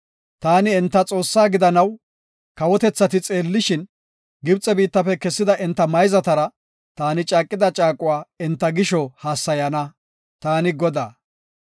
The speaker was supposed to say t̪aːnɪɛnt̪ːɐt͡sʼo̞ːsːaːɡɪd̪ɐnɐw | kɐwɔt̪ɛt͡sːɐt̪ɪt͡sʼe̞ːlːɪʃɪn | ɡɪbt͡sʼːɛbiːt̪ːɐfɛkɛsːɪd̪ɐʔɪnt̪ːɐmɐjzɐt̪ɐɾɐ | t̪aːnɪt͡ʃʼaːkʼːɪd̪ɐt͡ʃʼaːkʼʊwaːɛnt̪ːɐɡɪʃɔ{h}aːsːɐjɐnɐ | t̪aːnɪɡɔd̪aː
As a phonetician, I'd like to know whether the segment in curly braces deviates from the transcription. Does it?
no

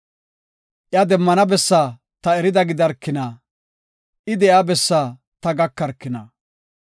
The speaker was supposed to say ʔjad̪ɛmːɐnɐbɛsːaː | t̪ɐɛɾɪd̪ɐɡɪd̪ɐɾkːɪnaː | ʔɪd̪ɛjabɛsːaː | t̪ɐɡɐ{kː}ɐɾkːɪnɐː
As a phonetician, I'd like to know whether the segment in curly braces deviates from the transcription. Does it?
no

